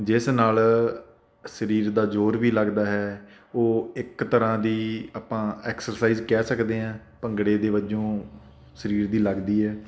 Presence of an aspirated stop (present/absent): absent